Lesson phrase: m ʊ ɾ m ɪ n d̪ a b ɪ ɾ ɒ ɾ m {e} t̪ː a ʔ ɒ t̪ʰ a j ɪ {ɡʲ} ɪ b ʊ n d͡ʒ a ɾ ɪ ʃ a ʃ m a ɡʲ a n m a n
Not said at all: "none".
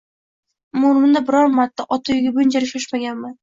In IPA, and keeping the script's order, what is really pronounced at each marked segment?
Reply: a, ɡʲ

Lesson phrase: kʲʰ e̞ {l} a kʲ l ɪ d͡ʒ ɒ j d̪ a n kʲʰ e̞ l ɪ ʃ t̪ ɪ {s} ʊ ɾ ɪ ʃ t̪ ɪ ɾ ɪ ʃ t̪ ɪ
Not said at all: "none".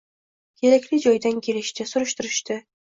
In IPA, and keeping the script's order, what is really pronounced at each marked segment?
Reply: ɾ, s

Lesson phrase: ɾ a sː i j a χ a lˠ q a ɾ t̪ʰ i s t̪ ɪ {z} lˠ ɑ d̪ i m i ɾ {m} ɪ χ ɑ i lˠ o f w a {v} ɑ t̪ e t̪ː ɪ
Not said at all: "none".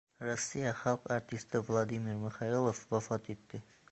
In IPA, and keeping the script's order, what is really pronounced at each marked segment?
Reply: v, m, f

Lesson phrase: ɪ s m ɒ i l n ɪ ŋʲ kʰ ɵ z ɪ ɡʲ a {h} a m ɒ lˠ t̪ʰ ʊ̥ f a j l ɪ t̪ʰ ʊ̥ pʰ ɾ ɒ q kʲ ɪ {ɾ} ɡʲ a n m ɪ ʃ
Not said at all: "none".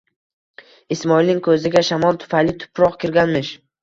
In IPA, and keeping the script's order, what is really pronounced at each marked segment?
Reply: ʃ, ɾ

